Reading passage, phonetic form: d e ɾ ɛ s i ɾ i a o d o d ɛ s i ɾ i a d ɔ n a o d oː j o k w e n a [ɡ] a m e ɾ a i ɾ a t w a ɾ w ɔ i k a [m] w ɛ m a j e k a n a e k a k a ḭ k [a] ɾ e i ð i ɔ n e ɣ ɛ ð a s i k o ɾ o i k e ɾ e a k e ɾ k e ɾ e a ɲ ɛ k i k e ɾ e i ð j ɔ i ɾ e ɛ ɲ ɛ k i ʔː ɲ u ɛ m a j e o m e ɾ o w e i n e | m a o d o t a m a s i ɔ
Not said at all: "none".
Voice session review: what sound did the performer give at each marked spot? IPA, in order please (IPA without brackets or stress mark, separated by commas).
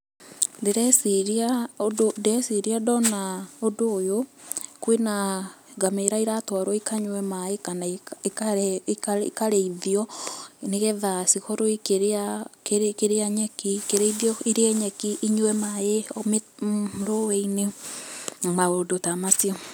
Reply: ɡ, ɲ, a